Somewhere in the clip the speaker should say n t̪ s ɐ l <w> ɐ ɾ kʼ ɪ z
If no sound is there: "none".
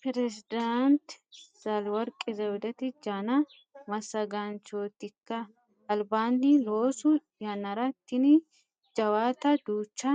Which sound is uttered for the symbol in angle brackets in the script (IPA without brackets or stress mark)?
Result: w